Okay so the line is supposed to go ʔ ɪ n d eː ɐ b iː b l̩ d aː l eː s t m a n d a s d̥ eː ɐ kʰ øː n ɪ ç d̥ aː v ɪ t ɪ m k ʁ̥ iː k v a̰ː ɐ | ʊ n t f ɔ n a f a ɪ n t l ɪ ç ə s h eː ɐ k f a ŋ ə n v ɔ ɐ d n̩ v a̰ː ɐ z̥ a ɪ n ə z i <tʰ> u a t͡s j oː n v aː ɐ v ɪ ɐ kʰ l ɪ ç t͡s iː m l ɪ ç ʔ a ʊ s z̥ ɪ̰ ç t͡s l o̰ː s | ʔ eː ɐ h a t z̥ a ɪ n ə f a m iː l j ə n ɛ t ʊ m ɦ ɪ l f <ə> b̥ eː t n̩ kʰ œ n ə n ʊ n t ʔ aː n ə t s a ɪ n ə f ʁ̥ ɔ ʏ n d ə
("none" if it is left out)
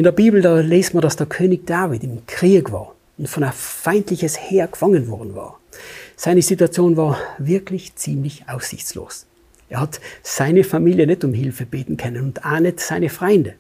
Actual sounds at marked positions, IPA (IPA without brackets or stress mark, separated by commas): t, ə